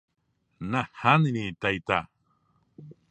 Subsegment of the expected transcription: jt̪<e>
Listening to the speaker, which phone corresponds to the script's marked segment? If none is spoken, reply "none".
a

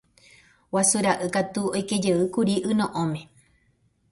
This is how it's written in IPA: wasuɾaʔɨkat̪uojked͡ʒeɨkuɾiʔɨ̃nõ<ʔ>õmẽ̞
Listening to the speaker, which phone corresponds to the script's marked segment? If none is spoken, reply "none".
ʔ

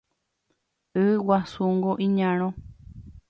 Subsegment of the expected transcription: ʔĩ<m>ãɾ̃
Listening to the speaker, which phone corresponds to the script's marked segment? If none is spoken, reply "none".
ɲ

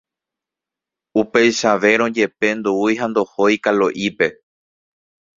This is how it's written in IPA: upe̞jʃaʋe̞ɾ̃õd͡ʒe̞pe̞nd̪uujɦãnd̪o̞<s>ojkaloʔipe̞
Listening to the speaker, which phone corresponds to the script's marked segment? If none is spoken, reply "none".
h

